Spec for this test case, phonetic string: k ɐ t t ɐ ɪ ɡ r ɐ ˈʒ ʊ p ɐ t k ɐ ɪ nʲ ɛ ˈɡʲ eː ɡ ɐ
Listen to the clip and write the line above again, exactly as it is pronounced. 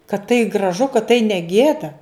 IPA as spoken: k ɐ t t ɐ ɪ ɡ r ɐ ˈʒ ʊ k ɐ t t ɐ ɪ nʲ ɛ ˈɡʲ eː d ɐ